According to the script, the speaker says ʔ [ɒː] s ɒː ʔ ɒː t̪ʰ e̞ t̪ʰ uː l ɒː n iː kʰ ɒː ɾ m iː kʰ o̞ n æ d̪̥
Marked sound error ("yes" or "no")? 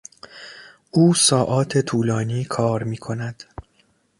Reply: yes